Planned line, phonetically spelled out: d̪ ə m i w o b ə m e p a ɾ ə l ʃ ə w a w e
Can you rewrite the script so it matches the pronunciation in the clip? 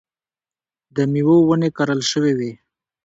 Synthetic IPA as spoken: d̪ ə m i w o w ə n e k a ɾ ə l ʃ ə w e w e